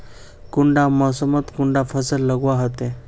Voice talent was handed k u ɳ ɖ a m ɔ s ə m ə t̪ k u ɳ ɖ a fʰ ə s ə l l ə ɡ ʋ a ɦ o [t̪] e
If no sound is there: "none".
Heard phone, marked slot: t̪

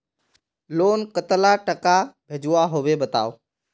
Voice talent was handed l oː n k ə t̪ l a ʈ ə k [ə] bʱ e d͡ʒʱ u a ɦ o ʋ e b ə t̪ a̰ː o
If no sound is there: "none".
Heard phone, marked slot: a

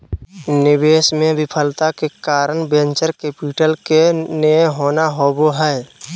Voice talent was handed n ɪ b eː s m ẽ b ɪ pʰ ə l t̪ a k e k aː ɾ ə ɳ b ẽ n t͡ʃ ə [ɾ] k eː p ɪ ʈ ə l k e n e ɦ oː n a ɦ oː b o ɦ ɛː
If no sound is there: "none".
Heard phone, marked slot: ɾ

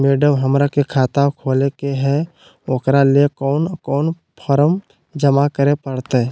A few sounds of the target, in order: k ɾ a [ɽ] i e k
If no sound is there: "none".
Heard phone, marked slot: l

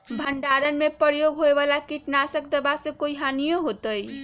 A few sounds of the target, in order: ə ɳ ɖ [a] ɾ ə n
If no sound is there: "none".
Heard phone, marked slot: a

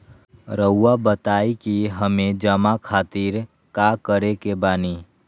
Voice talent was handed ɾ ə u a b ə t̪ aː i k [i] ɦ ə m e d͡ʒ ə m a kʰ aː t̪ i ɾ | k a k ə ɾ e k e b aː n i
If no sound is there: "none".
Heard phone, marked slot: i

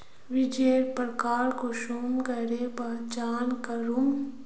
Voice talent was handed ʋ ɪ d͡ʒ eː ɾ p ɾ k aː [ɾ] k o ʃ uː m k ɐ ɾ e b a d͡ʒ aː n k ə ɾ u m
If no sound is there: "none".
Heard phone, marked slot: ɾ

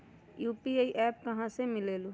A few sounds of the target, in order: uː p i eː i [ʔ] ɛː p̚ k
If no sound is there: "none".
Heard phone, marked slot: ʔ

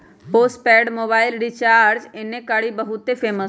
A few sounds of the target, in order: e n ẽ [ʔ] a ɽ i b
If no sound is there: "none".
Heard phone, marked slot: k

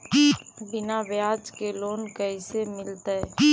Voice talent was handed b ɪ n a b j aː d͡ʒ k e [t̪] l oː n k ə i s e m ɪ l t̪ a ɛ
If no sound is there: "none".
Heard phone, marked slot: none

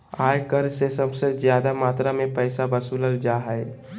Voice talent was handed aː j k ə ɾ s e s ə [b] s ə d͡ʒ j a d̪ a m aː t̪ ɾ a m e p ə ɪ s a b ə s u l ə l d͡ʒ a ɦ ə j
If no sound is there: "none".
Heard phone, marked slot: b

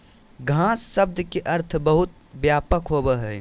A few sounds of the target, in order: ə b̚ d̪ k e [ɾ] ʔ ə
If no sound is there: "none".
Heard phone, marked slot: none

